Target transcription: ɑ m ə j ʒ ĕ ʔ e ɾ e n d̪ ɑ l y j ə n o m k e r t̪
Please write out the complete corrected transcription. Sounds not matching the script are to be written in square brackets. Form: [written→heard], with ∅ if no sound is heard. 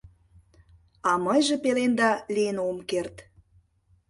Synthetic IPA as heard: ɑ m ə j ʒ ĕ [ʔ→p] e [ɾ→l] e n d̪ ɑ l [y→i] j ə n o m k e r t̪